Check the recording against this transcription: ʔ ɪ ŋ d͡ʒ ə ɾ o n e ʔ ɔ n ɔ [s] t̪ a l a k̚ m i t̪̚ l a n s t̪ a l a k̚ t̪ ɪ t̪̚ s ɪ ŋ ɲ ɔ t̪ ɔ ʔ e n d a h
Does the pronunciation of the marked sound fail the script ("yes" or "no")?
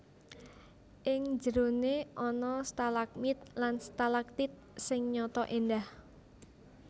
no